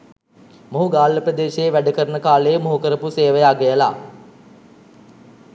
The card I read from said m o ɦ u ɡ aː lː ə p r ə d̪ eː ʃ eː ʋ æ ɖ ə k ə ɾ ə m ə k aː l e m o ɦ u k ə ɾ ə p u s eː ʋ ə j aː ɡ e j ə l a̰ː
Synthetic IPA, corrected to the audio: m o ɦ u ɡ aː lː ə p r ə d̪ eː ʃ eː ʋ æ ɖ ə k ə ɾ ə n ə k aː l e m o ɦ u k ə ɾ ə p u s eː ʋ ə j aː ɡ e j ə l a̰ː